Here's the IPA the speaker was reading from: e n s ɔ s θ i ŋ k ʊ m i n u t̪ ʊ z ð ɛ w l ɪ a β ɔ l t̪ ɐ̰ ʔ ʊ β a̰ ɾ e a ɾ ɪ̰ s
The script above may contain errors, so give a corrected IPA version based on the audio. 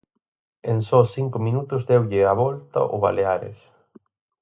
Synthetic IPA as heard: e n s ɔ s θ i ŋ k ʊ m i n u t̪ ʊ z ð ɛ w ʎ ɪ a β ɔ l t̪ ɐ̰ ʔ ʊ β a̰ l e a ɾ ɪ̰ s